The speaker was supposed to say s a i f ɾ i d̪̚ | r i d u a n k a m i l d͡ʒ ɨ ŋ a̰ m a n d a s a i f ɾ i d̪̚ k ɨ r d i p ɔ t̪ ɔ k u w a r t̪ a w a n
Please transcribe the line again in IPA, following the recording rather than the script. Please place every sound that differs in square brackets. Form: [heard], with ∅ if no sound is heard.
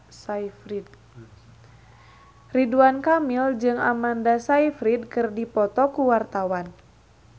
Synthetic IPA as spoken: s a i f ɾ i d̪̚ | r i d u a n k a m i l d͡ʒ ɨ ŋ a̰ m a n d a s a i f ɾ i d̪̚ k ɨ r d i p ɔ t̪ ɔ k u w a r t̪ a w a n

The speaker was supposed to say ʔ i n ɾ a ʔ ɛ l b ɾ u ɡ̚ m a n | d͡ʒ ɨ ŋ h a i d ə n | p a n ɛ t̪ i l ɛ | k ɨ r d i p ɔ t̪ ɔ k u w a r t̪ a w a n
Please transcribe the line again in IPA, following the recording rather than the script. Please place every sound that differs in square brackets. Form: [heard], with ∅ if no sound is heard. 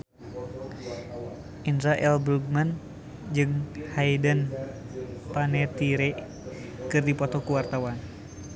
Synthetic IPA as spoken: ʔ i n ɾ a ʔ ɛ l b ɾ u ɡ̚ m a n | d͡ʒ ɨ ŋ h a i d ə n | p a n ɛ t̪ i [ɾ] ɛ | k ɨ r d i p ɔ t̪ ɔ k u w a r t̪ a w a n

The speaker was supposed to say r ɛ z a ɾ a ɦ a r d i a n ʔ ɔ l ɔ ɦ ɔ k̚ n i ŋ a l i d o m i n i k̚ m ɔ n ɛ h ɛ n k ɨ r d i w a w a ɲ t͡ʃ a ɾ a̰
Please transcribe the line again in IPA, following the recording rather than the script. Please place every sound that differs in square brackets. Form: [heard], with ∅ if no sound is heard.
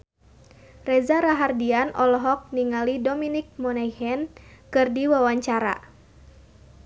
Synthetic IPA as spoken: r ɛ z a ɾ a ɦ a r d i a n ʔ ɔ l ɔ ɦ ɔ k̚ n i ŋ a l i d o m i n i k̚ m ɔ n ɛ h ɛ n k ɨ r d i w a w a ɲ t͡ʃ a ɾ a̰

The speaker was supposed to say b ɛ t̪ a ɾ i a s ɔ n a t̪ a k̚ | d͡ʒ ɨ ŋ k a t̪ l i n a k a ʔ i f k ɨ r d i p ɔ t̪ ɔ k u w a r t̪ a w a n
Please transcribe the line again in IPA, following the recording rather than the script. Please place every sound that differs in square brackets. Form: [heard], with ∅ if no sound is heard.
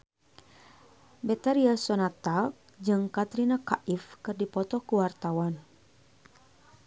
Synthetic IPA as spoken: b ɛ t̪ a ɾ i a s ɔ n a t̪ a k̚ | d͡ʒ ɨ ŋ k a t̪ [ɾ] i n a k a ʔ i f k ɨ r d i p ɔ t̪ ɔ k u w a r t̪ a w a n

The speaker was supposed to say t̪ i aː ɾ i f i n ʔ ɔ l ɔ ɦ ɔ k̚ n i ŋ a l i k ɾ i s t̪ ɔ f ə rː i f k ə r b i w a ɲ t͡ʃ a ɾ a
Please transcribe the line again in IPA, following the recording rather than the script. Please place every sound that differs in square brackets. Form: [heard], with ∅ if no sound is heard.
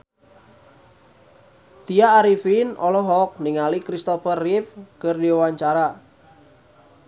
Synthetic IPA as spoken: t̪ i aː ɾ i f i n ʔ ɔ l ɔ ɦ ɔ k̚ n i ŋ a l i k ɾ i s t̪ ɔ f ə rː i f k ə r [d] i w a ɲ t͡ʃ a ɾ a

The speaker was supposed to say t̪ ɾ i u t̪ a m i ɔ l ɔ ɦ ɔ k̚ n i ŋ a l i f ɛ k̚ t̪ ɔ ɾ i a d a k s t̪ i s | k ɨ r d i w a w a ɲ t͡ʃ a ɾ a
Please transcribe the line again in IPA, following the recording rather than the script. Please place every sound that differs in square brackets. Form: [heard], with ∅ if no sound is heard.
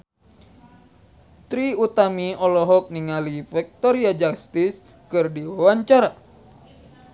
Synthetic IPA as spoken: t̪ ɾ i u t̪ a m i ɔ l ɔ ɦ ɔ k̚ n i ŋ a l i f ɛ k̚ t̪ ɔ ɾ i a [d͡ʒ] a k s t̪ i s | k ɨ r d i w a w a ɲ t͡ʃ a ɾ a

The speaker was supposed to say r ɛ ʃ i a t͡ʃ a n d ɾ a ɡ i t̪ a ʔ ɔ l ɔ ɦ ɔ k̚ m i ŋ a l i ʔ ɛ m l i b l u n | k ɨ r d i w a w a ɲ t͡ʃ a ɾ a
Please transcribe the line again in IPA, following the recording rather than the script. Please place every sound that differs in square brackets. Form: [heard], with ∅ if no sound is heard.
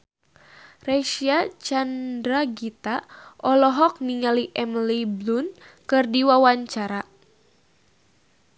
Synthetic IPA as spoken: r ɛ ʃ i a t͡ʃ a n d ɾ a ɡ i t̪ a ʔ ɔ l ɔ ɦ ɔ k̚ [n] i ŋ a l i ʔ ɛ m l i b l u n | k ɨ r d i w a w a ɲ t͡ʃ a ɾ a

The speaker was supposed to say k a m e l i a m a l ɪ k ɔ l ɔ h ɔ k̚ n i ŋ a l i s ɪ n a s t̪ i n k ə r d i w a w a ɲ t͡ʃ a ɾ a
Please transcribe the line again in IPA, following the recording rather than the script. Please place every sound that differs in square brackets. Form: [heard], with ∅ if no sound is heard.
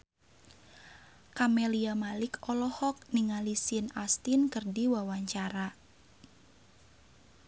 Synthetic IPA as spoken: k a m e l i a m a l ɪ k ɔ l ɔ h ɔ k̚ n i ŋ a l i s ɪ n a s t̪ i n k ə r d i w a w a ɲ t͡ʃ a ɾ a

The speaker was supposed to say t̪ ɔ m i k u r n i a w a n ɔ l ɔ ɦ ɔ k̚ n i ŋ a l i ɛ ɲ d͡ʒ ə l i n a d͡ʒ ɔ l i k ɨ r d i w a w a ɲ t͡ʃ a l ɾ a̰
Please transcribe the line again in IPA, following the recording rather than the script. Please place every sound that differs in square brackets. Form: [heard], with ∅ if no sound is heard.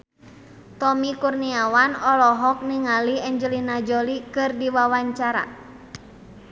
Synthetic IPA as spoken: t̪ ɔ m i k u r n i a w a n ɔ l ɔ ɦ ɔ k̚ n i ŋ a l i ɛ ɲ d͡ʒ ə l i n a d͡ʒ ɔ l i k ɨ r d i w a w a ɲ t͡ʃ a [∅] ɾ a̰

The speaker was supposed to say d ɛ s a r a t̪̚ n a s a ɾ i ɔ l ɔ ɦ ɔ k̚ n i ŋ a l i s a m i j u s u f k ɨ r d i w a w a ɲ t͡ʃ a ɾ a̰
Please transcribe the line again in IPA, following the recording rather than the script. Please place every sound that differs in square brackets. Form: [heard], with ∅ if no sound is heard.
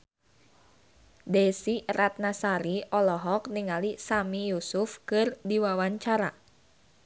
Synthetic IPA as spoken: d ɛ s [i] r a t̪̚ n a s a ɾ i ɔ l ɔ ɦ ɔ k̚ n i ŋ a l i s a m i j u s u f k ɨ r d i w a w a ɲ t͡ʃ a ɾ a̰

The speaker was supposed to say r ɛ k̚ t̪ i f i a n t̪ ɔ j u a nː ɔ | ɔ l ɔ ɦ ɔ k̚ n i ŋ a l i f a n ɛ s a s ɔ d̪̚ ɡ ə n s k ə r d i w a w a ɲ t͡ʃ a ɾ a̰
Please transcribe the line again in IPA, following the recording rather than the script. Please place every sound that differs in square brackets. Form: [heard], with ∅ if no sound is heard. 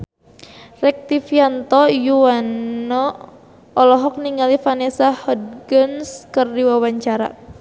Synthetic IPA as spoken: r ɛ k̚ t̪ i f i a n t̪ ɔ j u a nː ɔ | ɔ l ɔ ɦ ɔ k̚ n i ŋ a l i f a n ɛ s a [h] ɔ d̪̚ ɡ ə n s k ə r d i w a w a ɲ t͡ʃ a ɾ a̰

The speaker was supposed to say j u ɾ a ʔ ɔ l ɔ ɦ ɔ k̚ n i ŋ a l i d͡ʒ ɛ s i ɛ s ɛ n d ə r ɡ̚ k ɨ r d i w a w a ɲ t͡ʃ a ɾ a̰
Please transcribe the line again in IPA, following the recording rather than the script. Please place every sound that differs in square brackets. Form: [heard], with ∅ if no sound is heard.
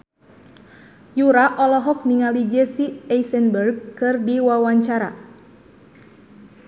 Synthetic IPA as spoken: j u ɾ a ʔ ɔ l ɔ ɦ ɔ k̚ n i ŋ a l i d͡ʒ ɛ s i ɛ s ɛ n [b] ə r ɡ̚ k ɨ r d i w a w a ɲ t͡ʃ a ɾ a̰

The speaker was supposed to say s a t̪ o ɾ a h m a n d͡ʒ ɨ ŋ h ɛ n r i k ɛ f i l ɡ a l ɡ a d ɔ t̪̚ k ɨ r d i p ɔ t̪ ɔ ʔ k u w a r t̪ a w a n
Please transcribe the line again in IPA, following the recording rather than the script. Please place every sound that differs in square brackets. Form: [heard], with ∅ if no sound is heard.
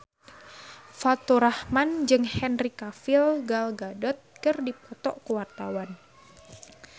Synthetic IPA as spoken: [f] a t̪ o ɾ a h m a n d͡ʒ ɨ ŋ h ɛ n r i k [a] f i l ɡ a l ɡ a d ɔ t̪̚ k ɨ r d i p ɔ t̪ ɔ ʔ k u w a r t̪ a w a n

